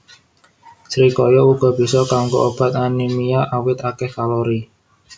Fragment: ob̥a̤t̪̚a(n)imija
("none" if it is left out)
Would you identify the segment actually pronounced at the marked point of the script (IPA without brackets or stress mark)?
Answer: n